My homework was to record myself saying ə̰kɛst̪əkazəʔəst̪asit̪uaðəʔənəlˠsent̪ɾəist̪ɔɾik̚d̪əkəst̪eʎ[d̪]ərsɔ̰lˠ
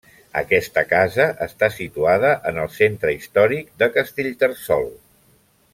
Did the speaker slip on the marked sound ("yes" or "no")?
yes